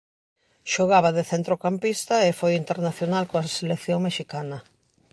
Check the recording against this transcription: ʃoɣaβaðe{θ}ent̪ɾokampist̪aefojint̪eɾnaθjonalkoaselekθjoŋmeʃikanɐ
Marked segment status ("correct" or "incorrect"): correct